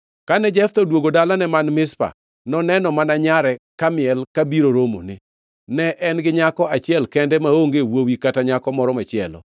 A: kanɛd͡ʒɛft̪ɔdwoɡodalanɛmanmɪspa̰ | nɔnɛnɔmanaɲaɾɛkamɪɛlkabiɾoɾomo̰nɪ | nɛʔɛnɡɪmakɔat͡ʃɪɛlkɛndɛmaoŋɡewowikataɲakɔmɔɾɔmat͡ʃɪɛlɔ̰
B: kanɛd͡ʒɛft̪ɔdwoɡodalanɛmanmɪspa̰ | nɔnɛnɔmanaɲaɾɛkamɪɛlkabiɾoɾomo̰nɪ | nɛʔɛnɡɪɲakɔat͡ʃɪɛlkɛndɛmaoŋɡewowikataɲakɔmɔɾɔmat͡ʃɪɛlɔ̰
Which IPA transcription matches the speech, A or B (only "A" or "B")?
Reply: B